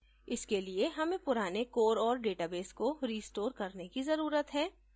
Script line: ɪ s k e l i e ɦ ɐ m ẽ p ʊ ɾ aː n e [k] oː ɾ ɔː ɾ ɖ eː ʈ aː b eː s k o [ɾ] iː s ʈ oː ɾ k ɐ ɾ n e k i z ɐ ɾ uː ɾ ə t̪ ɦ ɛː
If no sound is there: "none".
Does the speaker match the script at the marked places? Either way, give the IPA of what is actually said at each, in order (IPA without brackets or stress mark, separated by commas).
k, ɾ